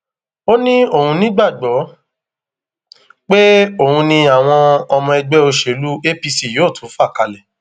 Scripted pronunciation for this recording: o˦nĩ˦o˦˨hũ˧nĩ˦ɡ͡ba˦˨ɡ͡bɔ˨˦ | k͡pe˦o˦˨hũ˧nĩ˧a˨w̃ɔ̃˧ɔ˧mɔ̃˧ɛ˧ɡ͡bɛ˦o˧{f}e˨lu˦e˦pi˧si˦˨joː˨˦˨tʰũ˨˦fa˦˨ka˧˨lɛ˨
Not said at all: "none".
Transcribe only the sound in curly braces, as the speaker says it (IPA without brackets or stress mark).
ʃ